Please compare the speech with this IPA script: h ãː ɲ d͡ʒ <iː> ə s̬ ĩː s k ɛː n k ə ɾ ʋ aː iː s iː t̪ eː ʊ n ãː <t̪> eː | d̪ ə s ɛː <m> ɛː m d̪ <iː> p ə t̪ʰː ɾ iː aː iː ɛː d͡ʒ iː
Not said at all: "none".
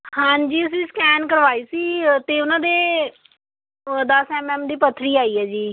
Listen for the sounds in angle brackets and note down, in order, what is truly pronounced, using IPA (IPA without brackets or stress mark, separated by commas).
iː, d̪, m, iː